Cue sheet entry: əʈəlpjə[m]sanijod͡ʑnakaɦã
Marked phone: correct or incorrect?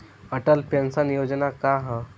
incorrect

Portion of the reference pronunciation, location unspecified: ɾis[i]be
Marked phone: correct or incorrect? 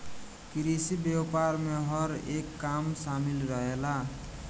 correct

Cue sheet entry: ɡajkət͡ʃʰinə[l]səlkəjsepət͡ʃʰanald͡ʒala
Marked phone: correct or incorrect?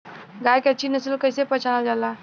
incorrect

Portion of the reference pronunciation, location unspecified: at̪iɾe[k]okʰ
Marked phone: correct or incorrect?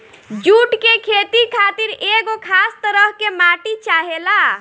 incorrect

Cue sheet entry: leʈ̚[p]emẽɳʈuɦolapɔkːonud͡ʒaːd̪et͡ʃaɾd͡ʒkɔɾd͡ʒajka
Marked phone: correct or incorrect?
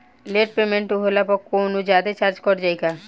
correct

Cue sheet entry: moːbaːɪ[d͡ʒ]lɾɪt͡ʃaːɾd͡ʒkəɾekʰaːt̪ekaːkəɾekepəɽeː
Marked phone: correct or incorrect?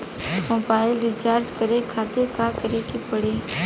incorrect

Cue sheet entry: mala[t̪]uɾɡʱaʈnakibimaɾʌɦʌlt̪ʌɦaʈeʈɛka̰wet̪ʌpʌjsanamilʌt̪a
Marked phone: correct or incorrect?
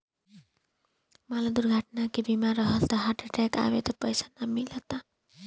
incorrect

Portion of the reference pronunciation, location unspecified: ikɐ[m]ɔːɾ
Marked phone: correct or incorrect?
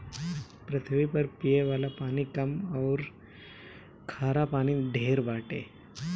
correct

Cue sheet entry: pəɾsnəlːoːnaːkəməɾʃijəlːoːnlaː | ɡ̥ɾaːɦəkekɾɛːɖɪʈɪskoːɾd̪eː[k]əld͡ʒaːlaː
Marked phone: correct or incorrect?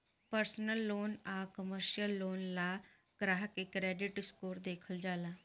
incorrect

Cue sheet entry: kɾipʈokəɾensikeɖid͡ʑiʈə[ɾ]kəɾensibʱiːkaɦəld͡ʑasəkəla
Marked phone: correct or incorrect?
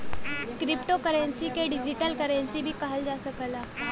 incorrect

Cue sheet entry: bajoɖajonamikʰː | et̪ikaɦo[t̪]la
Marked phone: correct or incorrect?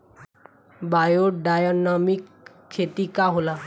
incorrect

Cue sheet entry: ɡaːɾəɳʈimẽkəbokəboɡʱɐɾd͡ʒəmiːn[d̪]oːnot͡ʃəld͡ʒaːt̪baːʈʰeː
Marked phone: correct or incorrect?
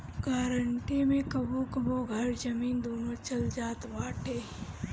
correct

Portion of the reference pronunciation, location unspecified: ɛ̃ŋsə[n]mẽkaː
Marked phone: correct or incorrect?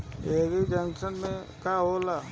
correct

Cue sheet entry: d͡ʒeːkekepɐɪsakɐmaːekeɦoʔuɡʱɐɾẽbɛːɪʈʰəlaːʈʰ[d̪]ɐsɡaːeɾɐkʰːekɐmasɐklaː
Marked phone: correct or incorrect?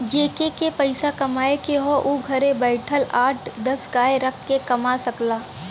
correct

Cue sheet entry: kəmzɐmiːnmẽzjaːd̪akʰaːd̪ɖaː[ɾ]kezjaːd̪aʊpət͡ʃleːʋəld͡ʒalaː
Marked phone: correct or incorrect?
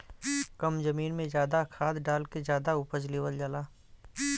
incorrect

